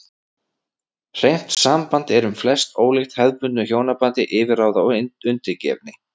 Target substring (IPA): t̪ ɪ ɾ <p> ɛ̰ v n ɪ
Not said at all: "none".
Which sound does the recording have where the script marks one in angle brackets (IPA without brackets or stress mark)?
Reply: c